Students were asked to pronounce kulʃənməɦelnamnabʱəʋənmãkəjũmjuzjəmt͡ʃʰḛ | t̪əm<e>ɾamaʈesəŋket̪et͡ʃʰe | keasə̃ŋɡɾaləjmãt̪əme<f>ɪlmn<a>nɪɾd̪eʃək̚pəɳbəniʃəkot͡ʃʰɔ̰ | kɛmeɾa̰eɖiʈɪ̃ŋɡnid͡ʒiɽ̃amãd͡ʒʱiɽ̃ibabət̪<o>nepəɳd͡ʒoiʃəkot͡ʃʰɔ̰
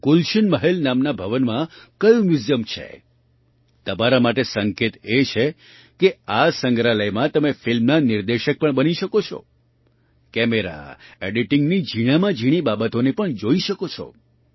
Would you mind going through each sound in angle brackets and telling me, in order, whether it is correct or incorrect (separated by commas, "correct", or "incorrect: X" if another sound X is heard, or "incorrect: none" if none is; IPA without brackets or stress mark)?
incorrect: a, correct, correct, correct